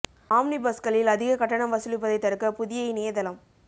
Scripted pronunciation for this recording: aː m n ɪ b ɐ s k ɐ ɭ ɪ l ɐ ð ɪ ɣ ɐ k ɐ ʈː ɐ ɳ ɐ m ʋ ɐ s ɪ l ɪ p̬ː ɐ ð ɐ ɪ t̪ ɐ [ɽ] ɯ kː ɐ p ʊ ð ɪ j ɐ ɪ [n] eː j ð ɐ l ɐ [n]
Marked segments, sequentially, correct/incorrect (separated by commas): incorrect, correct, incorrect